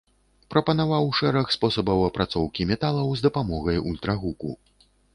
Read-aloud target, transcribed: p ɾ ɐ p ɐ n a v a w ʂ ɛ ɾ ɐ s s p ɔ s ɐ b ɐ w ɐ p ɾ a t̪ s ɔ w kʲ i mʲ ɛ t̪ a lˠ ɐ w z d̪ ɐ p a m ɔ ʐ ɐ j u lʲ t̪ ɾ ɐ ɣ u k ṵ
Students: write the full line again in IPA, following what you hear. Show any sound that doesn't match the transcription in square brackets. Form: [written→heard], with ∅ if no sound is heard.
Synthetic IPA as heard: p ɾ ɐ p ɐ n a v a w ʂ ɛ ɾ ɐ [s→x] s p ɔ s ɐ b ɐ w ɐ p ɾ a t̪ s ɔ w kʲ i mʲ ɛ t̪ a lˠ ɐ w z d̪ ɐ p a m ɔ [ʐ→ɣ] ɐ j u lʲ t̪ ɾ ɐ ɣ u k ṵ